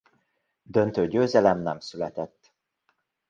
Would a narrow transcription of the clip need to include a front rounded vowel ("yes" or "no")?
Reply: yes